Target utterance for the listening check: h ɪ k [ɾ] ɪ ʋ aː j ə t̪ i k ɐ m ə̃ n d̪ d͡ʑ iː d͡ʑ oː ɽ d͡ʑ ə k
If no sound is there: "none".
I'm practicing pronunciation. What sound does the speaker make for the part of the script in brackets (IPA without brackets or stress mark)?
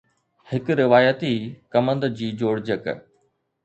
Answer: ɾ